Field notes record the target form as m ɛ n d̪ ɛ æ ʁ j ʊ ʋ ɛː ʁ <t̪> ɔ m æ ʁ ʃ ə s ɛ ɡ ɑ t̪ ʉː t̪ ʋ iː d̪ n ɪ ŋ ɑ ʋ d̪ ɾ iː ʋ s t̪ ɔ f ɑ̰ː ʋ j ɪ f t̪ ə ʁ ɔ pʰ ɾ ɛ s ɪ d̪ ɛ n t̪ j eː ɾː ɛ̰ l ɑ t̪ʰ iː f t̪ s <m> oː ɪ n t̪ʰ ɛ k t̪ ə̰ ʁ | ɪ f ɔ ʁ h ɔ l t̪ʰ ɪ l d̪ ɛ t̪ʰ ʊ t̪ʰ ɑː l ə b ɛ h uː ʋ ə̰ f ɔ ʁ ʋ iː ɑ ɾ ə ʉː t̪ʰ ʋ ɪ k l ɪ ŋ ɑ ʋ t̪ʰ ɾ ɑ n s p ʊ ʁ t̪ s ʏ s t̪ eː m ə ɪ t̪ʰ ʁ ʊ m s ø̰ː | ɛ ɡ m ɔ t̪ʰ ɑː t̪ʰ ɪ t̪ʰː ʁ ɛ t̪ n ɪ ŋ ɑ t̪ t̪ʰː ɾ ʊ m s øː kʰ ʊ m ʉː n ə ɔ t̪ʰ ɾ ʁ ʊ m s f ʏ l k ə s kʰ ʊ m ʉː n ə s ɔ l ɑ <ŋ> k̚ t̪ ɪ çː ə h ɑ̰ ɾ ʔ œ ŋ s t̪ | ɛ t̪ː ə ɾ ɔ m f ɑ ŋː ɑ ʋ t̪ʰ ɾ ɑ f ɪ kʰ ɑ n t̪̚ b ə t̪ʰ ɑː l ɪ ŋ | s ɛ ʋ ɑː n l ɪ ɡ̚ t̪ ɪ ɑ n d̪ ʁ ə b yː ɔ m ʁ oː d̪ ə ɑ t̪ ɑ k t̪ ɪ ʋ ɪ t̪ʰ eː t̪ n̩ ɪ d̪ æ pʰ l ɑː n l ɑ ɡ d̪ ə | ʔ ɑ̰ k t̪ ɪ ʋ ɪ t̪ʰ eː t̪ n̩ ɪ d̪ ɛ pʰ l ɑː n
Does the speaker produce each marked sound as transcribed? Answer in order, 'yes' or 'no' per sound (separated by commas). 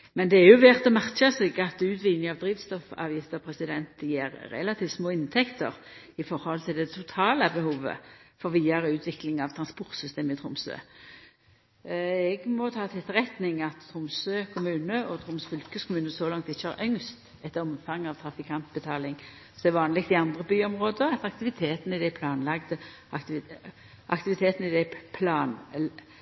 yes, yes, yes